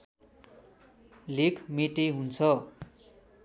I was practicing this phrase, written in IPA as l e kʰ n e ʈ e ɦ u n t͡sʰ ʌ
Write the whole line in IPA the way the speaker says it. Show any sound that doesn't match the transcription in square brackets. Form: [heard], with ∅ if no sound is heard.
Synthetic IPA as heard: l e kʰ [m] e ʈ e ɦ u n t͡sʰ ʌ